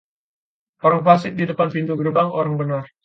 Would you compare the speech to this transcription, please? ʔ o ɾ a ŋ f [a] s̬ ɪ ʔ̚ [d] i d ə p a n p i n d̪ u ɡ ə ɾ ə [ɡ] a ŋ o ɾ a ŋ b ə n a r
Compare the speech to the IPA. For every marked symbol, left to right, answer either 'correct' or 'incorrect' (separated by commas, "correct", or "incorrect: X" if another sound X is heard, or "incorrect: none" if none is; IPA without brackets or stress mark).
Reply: correct, correct, incorrect: b